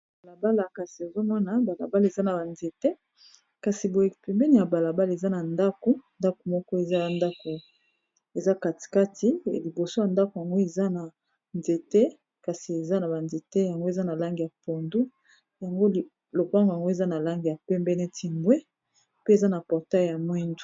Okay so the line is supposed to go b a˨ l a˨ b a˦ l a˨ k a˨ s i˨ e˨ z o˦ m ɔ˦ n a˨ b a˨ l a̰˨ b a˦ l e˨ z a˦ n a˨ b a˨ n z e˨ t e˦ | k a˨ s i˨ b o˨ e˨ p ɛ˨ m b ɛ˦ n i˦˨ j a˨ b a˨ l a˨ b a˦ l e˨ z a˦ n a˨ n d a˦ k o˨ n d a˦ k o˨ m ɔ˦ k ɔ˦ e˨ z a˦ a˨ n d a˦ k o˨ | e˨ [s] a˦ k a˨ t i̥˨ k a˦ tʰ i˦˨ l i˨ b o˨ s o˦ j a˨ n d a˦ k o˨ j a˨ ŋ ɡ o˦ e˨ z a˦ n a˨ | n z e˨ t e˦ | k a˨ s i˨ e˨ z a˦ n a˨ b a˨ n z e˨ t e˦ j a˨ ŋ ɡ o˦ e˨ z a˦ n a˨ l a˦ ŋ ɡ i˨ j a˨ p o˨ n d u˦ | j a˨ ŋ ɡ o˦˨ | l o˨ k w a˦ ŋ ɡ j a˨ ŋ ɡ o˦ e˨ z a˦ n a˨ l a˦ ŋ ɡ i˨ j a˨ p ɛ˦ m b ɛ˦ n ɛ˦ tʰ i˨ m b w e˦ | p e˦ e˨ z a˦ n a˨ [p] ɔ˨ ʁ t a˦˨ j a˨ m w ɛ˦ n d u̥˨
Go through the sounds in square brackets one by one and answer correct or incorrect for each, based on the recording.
incorrect, correct

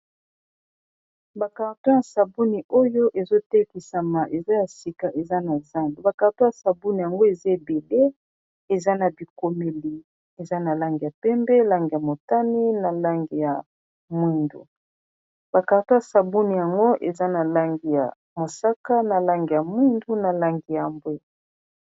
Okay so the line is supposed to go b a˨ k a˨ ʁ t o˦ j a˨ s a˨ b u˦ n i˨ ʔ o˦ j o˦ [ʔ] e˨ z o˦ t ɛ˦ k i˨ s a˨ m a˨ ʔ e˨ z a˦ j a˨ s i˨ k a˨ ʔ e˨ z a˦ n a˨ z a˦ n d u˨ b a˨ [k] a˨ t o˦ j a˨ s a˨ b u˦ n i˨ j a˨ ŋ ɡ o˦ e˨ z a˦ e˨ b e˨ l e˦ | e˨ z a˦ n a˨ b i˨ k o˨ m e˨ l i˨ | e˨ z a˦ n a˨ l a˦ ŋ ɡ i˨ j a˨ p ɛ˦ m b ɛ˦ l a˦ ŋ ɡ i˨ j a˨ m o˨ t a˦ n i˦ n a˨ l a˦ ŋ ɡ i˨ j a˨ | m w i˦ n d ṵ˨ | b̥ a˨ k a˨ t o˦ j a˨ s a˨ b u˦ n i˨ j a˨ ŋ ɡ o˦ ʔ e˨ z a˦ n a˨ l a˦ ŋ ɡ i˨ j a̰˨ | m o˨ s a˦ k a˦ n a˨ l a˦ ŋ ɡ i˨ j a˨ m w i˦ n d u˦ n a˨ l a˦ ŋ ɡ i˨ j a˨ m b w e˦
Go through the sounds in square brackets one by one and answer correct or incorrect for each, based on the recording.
correct, correct

